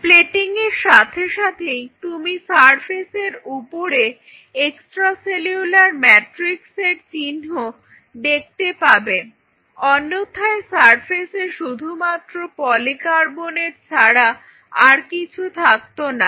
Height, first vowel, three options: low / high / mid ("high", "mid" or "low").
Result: mid